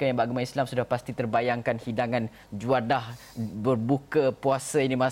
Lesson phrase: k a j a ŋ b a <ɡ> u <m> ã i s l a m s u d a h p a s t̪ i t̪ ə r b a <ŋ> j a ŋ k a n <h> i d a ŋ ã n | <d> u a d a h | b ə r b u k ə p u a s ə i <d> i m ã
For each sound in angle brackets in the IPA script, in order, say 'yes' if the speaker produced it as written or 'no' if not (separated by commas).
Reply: yes, yes, no, yes, no, no